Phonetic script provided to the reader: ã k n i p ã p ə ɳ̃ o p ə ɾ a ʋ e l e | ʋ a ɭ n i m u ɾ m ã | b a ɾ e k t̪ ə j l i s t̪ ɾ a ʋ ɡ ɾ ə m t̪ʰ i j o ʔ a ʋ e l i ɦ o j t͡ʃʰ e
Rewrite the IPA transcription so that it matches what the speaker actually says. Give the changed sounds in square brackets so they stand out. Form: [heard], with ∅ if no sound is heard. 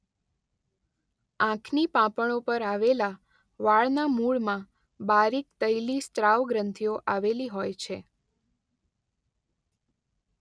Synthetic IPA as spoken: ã [kʰ] n i p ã p ə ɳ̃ o p ə ɾ a ʋ e l [a] | ʋ a ɭ n [a] m u [ɭ] m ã | b a ɾ [i] k t̪ ə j l i s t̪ ɾ a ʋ ɡ ɾ ə [n] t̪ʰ i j o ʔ a ʋ e l i ɦ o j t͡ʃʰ e